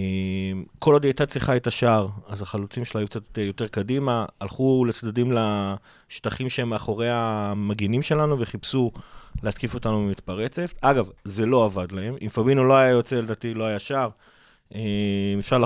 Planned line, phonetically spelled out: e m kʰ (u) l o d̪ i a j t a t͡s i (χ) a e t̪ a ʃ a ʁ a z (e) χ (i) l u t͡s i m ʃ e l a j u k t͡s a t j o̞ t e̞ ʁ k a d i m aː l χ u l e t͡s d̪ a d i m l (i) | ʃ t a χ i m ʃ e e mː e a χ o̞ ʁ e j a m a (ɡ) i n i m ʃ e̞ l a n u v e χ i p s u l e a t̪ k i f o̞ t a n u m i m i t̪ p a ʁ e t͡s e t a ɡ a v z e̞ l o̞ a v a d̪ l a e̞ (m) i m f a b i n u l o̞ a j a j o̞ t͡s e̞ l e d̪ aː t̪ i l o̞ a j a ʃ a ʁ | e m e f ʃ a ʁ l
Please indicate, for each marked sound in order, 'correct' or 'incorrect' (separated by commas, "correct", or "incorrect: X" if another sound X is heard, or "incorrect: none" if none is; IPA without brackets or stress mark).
incorrect: o, correct, incorrect: a, incorrect: a, incorrect: a, correct, correct